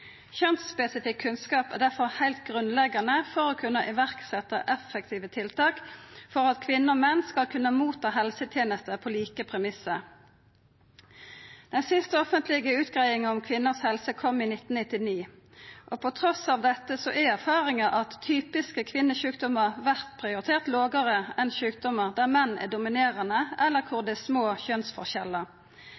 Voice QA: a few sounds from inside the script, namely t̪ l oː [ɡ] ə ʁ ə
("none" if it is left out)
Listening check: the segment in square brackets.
ɡ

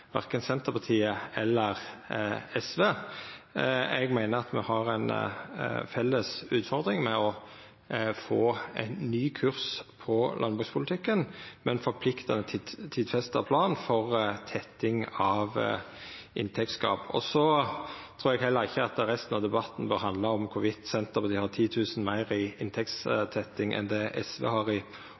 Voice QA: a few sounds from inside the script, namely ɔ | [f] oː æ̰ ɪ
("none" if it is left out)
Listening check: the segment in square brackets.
f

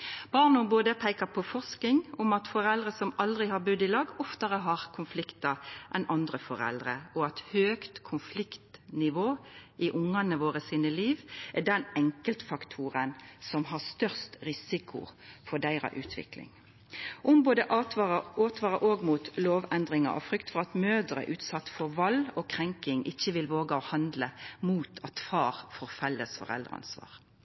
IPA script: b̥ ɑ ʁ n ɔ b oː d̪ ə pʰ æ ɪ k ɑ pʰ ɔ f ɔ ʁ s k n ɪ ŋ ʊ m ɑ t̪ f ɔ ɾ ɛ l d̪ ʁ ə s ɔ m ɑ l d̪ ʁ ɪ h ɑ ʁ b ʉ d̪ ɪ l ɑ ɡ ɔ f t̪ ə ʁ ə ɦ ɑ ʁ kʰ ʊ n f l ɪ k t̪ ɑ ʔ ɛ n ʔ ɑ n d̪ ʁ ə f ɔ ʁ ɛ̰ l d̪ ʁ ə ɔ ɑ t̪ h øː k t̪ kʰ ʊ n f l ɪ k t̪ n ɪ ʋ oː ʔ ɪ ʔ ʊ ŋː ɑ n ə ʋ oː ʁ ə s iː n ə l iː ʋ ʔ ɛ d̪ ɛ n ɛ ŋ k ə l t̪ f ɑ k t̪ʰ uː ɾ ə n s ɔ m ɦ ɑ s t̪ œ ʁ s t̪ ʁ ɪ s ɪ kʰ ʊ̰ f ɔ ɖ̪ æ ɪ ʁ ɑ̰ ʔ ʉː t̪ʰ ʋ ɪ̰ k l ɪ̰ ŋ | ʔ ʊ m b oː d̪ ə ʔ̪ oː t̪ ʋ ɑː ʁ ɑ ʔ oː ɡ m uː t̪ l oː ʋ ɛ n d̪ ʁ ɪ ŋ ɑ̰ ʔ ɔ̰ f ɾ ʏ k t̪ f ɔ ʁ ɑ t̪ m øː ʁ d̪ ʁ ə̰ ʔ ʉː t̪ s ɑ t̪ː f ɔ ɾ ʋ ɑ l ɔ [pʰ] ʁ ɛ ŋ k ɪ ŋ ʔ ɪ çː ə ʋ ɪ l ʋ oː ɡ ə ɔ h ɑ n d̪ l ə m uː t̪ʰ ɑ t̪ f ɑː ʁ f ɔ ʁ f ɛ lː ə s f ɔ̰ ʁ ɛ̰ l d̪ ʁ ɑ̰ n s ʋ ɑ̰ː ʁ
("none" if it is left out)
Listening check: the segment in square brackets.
kʰ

